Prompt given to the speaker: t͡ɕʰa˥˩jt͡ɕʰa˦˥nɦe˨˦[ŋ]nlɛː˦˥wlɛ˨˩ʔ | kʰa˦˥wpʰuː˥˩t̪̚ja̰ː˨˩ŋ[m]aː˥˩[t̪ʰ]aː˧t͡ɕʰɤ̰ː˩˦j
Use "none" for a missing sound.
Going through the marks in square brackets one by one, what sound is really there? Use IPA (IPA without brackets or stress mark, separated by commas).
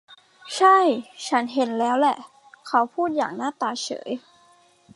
none, n, t̪